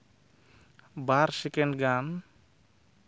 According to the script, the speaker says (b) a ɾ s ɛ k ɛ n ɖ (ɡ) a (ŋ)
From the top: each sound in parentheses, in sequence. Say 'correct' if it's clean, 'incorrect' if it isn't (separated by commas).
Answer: correct, correct, incorrect